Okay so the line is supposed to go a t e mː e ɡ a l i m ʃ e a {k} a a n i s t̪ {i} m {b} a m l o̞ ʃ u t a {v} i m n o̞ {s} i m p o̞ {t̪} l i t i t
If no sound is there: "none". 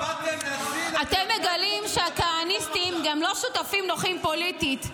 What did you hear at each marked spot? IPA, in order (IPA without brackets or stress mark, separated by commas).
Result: k, i, ɡ, f, χ, none